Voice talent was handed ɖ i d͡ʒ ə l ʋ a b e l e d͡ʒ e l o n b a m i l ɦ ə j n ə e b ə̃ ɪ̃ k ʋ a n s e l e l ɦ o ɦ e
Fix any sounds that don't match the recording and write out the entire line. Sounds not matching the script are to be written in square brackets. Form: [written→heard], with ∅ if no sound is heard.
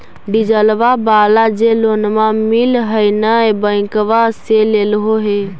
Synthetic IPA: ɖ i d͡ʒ ə l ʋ a b [e→a] l [e→a] d͡ʒ e l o n [b→m] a m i l ɦ ə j n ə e b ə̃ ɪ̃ k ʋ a [n→∅] s e l e l ɦ o ɦ e